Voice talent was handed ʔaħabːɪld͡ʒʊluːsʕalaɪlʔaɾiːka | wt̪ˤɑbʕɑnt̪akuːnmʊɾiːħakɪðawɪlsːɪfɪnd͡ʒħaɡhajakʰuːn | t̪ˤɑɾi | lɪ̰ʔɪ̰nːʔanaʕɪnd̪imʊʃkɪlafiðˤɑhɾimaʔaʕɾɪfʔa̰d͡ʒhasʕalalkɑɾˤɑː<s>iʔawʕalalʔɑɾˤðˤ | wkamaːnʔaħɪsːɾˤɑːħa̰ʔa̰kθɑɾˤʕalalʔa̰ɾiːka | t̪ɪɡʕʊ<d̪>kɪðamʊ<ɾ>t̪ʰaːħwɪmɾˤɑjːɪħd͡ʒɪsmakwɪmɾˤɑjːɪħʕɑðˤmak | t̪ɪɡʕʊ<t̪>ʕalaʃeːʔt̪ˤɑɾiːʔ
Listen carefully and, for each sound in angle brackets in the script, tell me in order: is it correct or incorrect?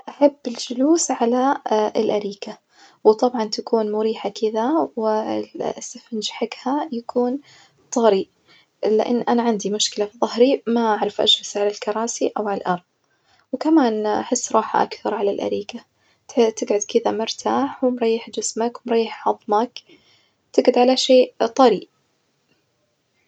correct, correct, correct, incorrect

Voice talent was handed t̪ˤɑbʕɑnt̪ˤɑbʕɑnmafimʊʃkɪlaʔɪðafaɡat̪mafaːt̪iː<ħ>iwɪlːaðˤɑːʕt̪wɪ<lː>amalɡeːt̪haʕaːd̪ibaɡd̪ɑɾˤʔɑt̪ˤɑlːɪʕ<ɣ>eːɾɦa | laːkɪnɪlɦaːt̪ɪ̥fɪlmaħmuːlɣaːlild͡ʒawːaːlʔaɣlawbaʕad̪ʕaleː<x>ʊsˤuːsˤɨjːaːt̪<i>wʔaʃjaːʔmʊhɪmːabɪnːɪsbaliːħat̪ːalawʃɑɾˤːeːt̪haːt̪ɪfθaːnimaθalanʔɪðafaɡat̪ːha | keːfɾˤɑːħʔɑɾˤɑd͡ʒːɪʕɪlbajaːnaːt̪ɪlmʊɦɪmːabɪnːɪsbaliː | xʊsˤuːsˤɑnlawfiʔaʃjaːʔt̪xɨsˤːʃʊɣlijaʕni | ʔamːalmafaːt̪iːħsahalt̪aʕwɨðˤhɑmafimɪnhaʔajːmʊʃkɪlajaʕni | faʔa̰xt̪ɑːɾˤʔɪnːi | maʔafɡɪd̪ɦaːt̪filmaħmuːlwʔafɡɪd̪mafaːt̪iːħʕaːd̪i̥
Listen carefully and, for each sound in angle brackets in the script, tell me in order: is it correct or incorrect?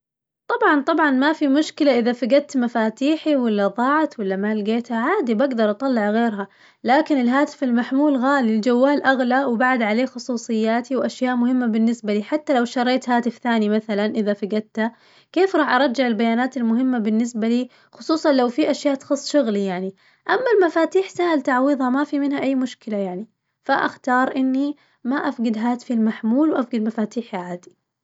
correct, correct, correct, correct, correct

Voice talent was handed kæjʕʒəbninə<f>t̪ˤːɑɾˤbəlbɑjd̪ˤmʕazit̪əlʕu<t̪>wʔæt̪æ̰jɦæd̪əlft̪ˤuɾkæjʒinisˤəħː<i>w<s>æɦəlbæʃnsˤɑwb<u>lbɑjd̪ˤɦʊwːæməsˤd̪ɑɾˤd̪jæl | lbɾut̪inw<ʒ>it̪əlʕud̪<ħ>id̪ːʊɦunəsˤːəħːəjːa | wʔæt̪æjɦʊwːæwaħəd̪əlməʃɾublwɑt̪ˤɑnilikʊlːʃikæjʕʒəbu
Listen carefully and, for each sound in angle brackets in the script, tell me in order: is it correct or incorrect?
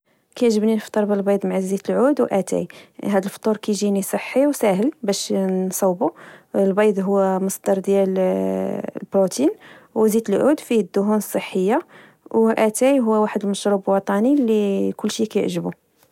correct, incorrect, correct, correct, correct, incorrect, incorrect

